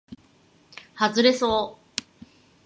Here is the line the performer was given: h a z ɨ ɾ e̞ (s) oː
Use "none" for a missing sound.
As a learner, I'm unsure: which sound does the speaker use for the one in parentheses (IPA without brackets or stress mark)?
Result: s